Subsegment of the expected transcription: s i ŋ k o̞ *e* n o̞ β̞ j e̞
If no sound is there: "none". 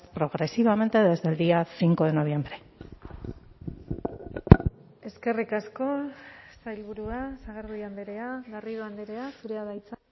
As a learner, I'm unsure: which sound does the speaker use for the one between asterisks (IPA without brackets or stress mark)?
e